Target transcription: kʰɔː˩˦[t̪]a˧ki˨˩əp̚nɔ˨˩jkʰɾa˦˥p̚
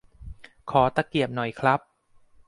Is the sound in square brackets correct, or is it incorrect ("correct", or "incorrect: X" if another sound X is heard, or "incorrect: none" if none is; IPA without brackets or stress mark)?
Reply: correct